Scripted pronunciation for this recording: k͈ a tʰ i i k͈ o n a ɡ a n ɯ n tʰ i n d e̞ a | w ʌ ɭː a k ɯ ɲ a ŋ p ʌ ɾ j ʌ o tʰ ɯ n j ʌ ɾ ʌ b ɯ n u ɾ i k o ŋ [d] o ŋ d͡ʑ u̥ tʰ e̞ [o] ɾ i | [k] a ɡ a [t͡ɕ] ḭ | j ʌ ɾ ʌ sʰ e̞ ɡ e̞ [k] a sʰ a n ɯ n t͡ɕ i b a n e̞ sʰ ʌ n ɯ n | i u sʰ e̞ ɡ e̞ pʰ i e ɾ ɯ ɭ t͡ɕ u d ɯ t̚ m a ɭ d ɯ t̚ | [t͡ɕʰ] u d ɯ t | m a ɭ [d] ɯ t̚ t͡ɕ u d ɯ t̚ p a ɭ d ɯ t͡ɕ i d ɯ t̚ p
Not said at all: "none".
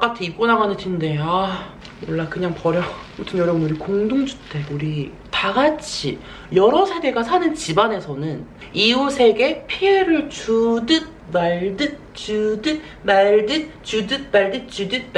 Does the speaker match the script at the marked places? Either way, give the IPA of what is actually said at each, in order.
d, u, t, t͡ɕʰ, ɡ, t͡ɕ, d

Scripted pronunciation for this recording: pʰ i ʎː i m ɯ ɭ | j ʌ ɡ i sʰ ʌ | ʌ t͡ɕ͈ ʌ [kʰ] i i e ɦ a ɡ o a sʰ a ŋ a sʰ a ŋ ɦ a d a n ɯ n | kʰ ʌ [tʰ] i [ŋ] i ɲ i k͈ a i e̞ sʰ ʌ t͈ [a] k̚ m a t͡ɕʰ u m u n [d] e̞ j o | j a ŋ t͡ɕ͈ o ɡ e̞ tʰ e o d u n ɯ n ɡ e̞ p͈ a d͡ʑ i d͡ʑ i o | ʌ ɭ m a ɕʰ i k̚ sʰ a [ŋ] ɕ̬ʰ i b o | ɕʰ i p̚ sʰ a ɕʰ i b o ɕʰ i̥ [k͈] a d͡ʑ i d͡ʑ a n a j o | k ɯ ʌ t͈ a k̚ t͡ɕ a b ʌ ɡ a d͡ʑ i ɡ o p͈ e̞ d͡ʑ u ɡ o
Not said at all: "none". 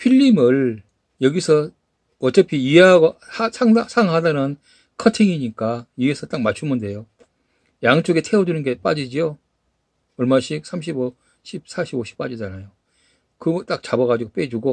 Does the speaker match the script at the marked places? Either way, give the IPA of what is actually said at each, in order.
pʰ, tʰ, ŋ, a, d, m, p͈

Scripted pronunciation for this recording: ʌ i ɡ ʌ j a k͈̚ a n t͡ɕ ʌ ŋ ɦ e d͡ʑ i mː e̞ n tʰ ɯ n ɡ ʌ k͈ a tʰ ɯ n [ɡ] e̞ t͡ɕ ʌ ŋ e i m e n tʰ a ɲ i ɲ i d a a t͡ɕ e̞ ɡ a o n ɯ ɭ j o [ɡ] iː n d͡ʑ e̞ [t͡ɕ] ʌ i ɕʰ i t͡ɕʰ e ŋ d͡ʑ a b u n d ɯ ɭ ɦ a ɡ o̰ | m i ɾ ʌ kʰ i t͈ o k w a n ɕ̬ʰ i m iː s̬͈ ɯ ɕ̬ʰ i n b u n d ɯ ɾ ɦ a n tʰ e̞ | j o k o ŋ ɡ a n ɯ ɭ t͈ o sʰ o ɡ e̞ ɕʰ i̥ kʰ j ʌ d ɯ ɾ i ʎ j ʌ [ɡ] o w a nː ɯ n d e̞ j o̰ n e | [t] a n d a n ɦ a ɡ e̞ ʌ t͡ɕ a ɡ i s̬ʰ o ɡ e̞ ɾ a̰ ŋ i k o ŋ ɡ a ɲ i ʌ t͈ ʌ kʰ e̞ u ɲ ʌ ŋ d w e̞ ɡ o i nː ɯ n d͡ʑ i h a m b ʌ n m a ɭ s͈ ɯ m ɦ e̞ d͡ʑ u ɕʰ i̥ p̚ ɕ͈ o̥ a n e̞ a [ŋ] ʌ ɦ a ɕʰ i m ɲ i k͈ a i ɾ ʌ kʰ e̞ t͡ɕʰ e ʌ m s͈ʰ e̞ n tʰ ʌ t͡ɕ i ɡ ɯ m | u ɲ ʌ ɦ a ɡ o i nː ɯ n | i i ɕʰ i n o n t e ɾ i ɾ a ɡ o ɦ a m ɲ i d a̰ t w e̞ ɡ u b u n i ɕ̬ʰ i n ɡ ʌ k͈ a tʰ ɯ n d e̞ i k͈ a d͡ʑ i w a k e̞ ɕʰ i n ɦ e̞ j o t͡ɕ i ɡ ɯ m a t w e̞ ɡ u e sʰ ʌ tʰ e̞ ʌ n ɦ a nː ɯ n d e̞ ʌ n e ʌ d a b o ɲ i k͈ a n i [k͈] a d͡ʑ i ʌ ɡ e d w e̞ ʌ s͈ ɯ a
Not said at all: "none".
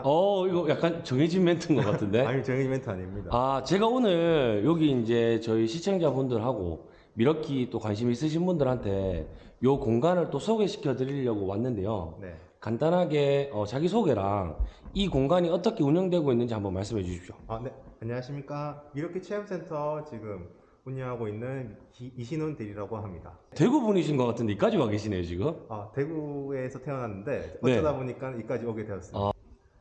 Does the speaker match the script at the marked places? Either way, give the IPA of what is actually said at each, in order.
d, ɡ, t͡ɕ, ɡ, k, ɲ, k͈

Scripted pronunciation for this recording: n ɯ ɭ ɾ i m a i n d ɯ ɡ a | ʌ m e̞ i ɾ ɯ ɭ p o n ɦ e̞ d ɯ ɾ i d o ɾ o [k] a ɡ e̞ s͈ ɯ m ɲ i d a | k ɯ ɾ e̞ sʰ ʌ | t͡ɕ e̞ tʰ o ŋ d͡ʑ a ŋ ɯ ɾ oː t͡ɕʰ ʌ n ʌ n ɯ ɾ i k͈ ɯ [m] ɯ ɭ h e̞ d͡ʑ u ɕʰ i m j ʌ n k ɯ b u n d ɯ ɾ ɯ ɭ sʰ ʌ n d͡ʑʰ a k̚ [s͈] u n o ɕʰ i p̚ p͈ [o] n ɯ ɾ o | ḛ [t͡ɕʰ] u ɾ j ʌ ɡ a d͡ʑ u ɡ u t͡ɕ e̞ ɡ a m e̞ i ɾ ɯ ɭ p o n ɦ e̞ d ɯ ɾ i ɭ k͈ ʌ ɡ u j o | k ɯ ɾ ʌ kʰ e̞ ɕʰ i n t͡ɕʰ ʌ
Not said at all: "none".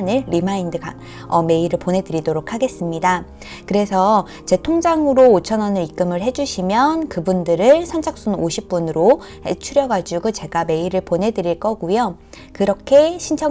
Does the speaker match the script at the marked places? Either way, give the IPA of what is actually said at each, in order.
kʰ, m, s͈, u, t͡ɕʰ

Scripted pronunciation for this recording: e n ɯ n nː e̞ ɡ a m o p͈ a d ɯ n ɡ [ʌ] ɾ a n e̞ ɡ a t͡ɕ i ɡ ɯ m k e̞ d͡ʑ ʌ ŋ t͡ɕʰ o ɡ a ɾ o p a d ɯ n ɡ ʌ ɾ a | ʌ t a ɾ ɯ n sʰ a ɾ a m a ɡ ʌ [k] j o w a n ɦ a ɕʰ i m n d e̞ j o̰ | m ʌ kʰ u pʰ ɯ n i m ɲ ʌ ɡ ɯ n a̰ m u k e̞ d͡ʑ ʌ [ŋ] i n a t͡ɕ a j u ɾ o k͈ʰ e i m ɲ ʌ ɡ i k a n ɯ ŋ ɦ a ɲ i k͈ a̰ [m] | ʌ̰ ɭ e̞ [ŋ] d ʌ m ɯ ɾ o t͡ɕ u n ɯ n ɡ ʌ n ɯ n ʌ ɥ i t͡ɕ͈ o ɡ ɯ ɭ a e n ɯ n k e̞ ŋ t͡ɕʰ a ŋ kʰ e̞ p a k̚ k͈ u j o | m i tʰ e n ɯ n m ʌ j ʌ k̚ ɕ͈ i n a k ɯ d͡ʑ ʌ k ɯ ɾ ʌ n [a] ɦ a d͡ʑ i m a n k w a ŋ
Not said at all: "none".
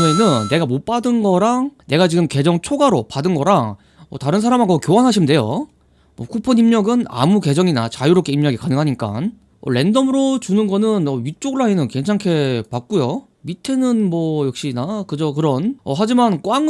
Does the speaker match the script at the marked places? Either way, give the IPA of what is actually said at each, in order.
ʌ, k, ŋ, n, n, ʌ

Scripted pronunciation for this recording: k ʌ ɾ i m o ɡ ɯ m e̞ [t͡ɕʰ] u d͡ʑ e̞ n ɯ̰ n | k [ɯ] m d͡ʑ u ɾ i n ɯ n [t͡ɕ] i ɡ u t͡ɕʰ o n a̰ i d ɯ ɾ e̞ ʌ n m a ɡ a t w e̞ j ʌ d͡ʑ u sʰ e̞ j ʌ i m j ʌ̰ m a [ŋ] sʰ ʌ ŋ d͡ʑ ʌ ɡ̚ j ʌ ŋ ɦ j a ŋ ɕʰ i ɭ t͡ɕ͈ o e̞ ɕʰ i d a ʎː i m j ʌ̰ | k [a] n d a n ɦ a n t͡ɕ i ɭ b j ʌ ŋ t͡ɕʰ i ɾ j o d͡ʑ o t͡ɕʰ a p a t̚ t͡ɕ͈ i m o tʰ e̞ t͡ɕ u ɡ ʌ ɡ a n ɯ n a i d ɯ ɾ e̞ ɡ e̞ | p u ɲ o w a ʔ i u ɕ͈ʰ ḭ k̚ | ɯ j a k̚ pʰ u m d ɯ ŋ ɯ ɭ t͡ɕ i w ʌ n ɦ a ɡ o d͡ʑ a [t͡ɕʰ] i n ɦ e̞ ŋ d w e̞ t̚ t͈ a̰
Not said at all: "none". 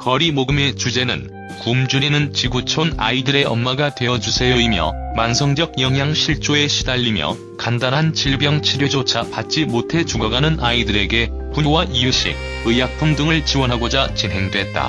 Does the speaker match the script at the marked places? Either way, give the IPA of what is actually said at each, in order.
t͡ɕ, u, t͡ɕ, n, a, t͡ɕ

